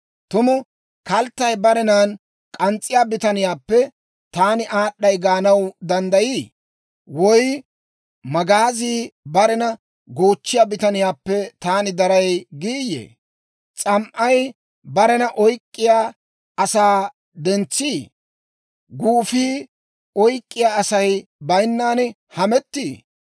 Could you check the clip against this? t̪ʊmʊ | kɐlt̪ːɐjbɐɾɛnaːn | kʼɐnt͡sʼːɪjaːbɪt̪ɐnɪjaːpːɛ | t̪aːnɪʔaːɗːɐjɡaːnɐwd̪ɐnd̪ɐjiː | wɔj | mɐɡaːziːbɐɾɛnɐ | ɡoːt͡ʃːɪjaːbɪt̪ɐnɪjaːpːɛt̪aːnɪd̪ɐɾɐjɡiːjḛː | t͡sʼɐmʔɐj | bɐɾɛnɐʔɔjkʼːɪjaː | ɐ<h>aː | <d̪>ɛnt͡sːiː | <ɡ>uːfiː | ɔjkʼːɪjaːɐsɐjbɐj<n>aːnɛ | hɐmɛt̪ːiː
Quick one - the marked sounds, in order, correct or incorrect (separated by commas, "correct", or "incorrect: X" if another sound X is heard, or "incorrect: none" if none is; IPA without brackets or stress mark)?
incorrect: s, correct, correct, incorrect: nː